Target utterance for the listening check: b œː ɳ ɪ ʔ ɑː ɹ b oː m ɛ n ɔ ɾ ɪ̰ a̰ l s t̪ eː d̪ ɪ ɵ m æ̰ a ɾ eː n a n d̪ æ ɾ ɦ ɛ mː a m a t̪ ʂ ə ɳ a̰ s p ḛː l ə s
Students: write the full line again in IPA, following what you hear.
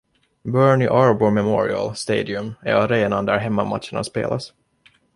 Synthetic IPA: b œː ɳ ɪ ʔ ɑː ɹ b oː m ɛ m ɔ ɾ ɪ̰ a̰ l s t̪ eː d̪ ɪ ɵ m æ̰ a ɾ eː n a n d̪ æ ɾ ɦ ɛ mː a m a t̪ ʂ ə ɳ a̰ s p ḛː l a s